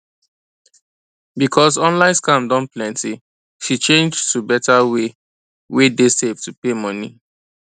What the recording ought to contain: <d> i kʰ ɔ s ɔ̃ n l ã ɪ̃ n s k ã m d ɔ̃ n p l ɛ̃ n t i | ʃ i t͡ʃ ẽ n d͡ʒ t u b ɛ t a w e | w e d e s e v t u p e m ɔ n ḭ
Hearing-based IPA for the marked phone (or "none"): b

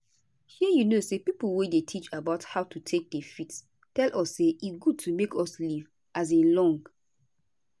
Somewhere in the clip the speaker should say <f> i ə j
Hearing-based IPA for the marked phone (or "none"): h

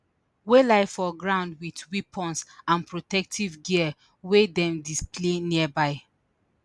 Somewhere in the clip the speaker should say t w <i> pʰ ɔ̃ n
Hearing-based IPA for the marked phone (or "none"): i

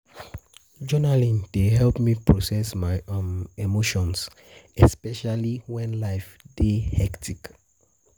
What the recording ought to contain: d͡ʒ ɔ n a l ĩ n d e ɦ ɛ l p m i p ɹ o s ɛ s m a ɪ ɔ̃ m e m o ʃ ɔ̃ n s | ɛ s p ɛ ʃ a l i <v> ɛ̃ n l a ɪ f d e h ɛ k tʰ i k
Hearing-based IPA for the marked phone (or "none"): w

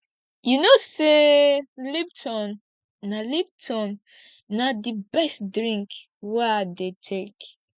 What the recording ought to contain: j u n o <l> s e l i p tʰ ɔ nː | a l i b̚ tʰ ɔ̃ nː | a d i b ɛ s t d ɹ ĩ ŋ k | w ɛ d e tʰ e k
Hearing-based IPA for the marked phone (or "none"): none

